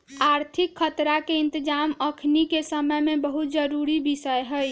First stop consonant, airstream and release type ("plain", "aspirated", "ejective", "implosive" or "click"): aspirated